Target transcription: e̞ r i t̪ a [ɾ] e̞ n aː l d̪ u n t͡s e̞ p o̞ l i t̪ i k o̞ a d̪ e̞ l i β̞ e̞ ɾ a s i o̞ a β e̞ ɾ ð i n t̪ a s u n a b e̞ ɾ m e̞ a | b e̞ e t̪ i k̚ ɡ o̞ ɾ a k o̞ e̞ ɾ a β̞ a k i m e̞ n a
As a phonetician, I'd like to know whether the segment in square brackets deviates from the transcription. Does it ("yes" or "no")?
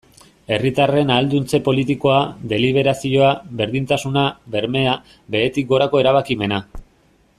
yes